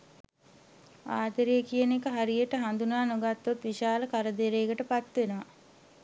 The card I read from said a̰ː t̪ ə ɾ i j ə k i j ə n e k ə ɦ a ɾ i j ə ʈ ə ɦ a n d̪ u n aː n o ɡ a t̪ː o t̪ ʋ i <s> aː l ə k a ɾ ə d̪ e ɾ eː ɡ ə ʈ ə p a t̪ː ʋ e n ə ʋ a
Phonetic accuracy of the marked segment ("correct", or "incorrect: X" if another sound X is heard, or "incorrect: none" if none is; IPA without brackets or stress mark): incorrect: ʃ